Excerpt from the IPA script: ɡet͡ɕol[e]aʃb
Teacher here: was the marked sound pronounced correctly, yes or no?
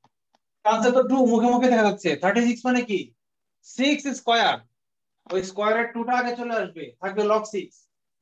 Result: yes